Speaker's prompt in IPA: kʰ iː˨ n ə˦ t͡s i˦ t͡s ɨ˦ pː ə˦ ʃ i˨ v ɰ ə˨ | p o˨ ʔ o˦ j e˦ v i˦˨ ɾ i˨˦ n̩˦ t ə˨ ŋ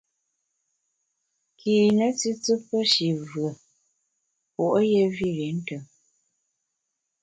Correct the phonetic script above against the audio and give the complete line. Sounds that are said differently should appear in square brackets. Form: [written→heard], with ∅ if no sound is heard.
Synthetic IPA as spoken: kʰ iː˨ n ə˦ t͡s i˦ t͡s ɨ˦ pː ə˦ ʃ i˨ v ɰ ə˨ | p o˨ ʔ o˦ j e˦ v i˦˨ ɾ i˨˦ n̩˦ t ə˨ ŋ